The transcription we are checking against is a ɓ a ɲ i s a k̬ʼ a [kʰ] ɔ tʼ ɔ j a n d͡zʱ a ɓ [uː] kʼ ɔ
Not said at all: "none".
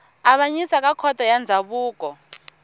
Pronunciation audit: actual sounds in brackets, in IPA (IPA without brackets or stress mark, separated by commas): kʰ, uː